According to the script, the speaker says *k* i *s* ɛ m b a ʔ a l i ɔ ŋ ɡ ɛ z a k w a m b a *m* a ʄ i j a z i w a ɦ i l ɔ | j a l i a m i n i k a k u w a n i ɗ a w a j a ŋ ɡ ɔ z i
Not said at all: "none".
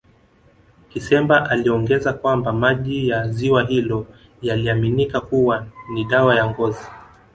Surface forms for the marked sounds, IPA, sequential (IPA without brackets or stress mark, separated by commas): k, s, m